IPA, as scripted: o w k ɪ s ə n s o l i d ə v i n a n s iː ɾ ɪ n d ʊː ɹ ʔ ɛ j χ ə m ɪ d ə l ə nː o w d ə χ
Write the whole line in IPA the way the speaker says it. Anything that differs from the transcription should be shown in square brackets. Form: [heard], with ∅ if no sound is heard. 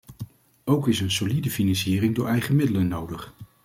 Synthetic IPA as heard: o w k ɪ s ə n s o l i d ə [f] i n [ɑ] n s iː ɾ ɪ [ŋ] d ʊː ɹ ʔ ɛ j χ ə m ɪ d ə l ə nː o w d ə χ

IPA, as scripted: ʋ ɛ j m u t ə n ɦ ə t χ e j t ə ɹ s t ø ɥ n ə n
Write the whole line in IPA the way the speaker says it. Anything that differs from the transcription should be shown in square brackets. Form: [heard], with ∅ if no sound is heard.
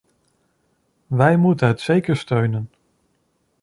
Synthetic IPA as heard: ʋ ɛ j m u t ə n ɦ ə t [s] e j [k] ə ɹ s t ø ɥ n ə n

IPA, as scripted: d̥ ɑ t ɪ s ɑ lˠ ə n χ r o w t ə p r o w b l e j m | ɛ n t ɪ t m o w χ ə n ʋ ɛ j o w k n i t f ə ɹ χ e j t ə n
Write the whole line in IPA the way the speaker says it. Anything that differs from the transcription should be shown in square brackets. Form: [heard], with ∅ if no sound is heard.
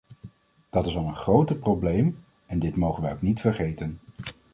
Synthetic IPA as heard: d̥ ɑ t ɪ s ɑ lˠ ə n χ r o w t ə p r o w b l e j m | ɛ n [d] ɪ t m o w χ ə n ʋ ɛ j o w k n i t f ə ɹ χ e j t ə n

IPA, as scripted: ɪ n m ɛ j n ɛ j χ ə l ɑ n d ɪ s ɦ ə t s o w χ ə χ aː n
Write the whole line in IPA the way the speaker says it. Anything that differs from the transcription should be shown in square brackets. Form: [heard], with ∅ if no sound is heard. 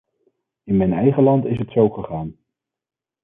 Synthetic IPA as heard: ɪ n m ɛ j n ɛ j χ ə l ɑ n [t] ɪ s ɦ ə t s o w χ ə χ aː n

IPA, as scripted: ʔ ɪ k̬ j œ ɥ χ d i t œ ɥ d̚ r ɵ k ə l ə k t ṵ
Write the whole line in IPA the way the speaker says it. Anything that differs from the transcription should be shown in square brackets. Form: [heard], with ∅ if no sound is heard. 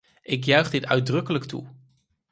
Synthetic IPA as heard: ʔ ɪ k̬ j œ ɥ χ d [ɪ] t œ ɥ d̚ r ɵ k ə l ə k t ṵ

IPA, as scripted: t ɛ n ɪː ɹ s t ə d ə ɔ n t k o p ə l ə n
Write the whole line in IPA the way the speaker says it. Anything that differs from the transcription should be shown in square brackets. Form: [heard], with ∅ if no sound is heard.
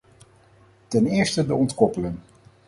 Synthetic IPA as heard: t ɛ n ɪː ɹ s t ə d ə ɔ n t k [ɔ] p ə l ə n

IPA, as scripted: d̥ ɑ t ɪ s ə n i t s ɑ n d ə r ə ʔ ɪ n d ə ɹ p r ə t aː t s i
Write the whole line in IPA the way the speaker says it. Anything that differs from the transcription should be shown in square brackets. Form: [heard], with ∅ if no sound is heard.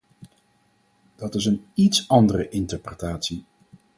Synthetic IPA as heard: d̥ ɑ t ɪ s ə n i t s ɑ n d ə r ə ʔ ɪ n [t] ə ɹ p r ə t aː t s i

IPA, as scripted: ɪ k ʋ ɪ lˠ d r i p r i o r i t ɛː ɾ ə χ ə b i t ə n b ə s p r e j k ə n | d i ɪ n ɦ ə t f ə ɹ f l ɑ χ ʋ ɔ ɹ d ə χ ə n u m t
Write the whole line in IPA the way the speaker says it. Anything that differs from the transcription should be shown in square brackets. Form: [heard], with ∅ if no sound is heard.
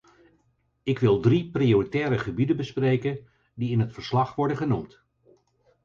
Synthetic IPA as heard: ɪ k ʋ ɪ lˠ d r i p r i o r i t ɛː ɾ ə χ ə b i [d] ə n b ə s p r e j k ə n | d i ɪ n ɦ ə t f ə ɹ [s] l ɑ χ ʋ ɔ ɹ d ə χ ə n u m t

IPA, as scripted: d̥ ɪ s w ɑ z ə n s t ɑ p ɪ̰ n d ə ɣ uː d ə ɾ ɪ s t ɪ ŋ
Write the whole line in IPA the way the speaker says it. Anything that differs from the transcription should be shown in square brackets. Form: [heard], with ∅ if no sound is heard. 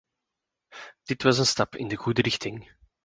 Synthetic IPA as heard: d̥ ɪ [t] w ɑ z ə n s t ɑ p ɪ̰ n d ə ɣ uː d ə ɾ ɪ [x] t ɪ ŋ

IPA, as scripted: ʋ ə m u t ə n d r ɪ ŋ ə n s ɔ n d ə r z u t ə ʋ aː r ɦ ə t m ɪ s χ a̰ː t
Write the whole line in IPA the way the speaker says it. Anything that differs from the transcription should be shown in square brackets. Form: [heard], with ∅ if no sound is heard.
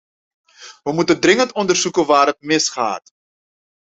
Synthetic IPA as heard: ʋ ə m u t ə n d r ɪ ŋ ə n [t] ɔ n d ə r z u [k] ə ʋ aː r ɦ ə t m ɪ s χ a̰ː t

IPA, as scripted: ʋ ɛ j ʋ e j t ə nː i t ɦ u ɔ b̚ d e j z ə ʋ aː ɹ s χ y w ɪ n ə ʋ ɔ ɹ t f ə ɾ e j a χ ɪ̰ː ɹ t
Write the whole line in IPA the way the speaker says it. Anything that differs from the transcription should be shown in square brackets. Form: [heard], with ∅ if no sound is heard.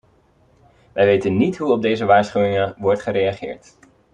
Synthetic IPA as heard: ʋ ɛ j ʋ e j t ə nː i t ɦ u ɔ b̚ d e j z ə ʋ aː ɹ s χ y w ɪ [ŋ] ə ʋ ɔ ɹ t [χ] ə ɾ e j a χ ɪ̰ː ɹ t

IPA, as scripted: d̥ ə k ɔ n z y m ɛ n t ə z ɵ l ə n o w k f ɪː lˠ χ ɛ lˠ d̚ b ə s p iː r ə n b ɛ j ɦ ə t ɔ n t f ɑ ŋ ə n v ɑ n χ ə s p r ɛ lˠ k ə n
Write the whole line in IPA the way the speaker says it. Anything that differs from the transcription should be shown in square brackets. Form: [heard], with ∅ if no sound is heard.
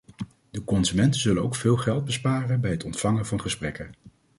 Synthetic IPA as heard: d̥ ə k ɔ n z y m ɛ n t ə z ɵ l ə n o w k f ɪː lˠ χ ɛ lˠ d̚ b ə s p [aː] r ə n b ɛ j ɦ ə t ɔ n t f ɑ ŋ ə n v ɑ n χ ə s p r ɛ [∅] k ə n

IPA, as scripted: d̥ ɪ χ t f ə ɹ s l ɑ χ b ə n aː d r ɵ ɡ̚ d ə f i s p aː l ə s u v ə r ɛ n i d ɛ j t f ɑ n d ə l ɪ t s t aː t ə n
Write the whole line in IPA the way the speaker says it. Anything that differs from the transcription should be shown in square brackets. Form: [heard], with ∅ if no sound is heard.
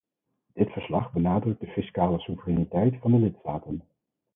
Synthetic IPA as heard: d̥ ɪ [∅] t f ə ɹ s l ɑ χ b ə n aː d r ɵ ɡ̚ d ə f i s [k] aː l ə s u v ə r ɛ n i [t] ɛ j t f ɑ n d ə l ɪ t s t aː t ə n

